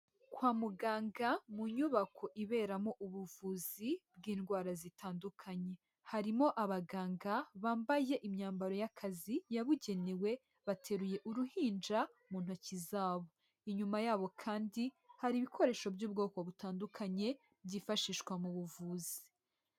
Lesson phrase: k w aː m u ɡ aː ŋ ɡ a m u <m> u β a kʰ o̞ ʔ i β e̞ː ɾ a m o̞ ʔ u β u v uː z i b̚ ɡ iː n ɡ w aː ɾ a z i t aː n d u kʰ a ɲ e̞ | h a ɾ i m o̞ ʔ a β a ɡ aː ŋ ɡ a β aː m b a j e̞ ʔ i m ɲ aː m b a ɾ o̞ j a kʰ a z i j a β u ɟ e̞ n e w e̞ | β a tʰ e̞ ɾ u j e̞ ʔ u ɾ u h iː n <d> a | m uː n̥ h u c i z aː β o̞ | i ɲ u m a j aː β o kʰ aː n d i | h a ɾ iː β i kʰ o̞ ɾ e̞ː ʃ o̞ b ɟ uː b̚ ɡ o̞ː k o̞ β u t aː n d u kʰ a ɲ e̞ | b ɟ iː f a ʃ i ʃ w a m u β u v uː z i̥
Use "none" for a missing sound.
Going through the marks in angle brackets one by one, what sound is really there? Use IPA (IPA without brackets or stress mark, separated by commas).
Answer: ɲ, d͡ʒ